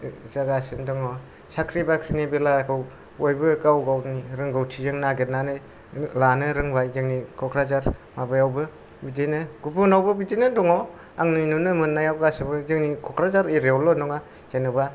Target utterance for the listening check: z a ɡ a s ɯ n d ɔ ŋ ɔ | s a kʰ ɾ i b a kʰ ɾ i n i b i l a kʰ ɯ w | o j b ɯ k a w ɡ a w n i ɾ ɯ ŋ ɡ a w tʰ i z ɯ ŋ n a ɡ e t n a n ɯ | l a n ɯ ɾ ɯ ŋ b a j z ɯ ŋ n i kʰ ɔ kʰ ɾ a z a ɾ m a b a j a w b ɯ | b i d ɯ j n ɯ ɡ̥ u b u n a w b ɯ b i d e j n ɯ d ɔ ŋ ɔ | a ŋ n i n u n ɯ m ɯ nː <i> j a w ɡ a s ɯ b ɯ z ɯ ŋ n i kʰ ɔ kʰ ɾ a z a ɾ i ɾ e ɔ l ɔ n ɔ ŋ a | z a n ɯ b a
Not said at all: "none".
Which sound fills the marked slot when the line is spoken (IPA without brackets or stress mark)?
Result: a